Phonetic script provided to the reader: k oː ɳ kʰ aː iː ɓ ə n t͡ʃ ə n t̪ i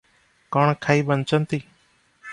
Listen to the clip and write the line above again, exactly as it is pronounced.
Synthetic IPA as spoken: k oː ɳ kʰ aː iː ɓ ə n t͡ʃ ə n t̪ iː